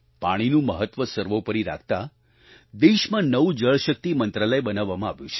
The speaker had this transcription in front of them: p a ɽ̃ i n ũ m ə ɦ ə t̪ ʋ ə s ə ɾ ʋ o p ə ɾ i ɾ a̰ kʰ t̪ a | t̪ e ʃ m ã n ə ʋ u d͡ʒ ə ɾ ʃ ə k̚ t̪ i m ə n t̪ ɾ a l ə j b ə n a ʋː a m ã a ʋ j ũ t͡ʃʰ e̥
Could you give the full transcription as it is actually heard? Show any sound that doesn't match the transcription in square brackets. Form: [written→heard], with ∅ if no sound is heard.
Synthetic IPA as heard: p a ɽ̃ i n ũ m ə ɦ ə t̪ ʋ ə s ə ɾ ʋ o p ə ɾ i ɾ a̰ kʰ t̪ a | [t̪→d̪] e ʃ m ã n ə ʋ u d͡ʒ ə [ɾ→ɭ] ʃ ə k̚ t̪ i m ə n t̪ ɾ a l ə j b ə n a ʋː a m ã a ʋ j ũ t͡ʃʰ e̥